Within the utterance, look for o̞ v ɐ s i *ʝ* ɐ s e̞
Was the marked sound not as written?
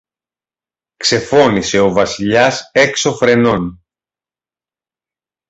yes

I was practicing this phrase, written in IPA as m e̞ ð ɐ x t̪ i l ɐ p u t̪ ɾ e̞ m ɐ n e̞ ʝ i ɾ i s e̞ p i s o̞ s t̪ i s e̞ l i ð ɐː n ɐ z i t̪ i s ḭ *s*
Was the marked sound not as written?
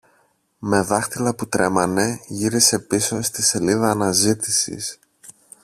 no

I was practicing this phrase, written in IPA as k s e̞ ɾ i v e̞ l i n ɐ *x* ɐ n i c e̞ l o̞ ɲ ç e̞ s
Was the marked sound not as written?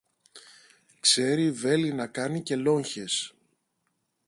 yes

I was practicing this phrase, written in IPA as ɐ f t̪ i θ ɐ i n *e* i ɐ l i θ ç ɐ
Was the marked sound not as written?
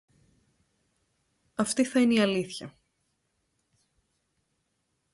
no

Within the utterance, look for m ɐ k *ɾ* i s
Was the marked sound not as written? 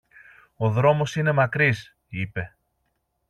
no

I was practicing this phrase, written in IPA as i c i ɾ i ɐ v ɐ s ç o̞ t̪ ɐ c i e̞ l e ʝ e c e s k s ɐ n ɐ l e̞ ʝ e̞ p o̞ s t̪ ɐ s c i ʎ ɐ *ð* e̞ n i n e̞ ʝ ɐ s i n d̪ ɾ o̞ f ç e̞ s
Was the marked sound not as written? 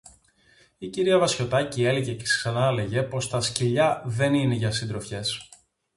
no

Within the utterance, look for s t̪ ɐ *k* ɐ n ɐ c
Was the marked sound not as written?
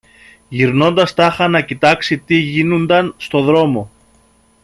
yes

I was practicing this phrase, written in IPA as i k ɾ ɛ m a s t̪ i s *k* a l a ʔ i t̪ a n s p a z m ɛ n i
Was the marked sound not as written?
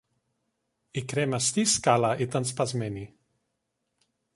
no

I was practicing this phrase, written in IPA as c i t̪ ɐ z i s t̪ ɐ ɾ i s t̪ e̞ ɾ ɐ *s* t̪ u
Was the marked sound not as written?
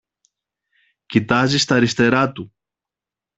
yes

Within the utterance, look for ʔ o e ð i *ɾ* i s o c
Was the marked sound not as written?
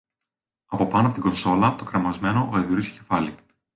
no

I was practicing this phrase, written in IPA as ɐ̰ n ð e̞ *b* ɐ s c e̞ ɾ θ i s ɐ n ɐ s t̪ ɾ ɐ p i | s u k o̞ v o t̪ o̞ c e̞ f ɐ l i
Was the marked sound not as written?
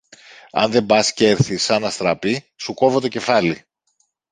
no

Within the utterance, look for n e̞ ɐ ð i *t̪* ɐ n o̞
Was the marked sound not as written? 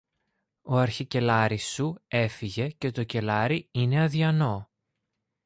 yes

